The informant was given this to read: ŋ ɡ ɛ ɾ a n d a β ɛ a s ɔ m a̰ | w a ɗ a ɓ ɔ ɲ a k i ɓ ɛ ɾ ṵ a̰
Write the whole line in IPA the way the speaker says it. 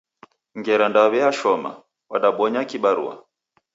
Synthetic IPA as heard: ŋ ɡ ɛ ɾ a n d a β ɛ a ʃ ɔ m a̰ | w a ɗ a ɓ ɔ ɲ a k i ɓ a ɾ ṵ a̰

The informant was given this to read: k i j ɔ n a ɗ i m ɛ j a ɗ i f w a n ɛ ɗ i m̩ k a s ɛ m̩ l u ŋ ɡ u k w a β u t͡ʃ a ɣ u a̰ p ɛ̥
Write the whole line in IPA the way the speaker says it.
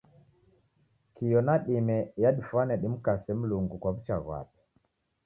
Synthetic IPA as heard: k i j ɔ n a ɗ i m ɛ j a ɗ i f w a n ɛ ɗ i m̩ k a s ɛ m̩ l u ŋ ɡ u k w a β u t͡ʃ a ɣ w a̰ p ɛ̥

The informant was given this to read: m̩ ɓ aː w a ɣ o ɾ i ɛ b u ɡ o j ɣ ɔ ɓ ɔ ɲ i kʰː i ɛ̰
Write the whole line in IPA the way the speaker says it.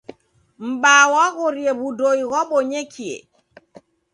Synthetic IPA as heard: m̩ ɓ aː w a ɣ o ɾ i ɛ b u d o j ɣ ɔ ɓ ɔ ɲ e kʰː i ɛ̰

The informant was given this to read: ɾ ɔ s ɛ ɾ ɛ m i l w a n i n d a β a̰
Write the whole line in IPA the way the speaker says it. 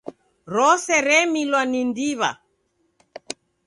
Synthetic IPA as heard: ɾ ɔ s ɛ ɾ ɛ m i l w a n i n d i β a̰

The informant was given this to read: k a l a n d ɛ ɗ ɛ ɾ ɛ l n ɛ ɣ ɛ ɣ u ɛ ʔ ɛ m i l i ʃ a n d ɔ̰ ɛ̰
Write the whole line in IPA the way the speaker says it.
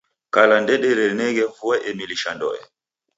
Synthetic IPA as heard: k a l a n d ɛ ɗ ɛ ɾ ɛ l n ɛ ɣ ɛ v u ɛ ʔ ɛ m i l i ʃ a n d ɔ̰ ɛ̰

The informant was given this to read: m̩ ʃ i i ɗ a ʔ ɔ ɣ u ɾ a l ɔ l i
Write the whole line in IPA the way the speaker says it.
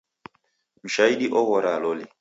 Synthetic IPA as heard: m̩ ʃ a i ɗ i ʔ ɔ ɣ ɔ ɾ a l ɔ l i

